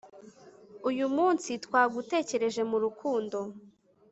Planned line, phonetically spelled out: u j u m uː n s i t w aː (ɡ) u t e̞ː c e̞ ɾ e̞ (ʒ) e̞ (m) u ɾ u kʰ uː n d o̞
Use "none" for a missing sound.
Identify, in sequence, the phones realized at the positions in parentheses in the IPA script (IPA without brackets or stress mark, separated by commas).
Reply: ɡ, ʒ, m